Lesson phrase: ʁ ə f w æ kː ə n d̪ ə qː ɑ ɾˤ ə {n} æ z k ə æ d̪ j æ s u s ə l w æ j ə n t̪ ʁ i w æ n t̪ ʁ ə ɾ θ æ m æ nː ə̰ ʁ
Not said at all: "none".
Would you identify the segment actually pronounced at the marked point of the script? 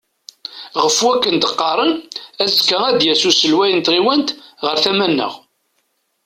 n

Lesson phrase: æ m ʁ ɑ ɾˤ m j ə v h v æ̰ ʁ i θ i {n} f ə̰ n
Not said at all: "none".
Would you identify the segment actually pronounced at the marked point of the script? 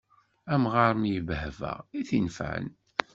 n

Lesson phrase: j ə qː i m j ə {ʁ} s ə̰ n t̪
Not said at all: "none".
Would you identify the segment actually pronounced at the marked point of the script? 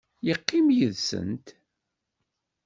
ð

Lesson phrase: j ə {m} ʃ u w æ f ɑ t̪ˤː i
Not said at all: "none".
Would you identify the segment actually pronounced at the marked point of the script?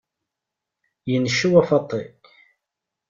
n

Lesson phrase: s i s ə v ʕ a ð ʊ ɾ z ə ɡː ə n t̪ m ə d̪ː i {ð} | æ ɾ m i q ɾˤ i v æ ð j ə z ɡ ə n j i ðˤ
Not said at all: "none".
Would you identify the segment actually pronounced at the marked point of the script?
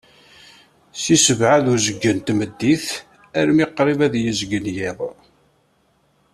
θ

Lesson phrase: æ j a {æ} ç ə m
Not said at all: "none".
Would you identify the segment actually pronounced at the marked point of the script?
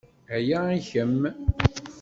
i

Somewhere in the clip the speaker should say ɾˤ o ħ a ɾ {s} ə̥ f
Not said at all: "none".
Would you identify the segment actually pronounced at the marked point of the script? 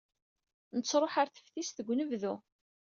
θ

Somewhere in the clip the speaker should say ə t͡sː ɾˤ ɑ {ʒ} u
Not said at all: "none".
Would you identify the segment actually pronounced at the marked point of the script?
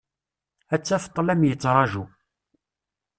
ʒ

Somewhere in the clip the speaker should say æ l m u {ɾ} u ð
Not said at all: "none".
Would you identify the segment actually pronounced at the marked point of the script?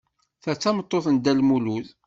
l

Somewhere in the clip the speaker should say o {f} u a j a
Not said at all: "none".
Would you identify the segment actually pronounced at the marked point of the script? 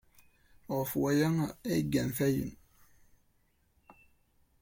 f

